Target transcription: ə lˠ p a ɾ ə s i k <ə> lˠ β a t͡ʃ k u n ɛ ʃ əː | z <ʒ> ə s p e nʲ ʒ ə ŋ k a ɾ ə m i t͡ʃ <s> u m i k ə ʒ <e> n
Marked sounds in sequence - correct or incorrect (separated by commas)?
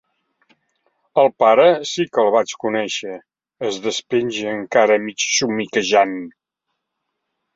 correct, incorrect, correct, incorrect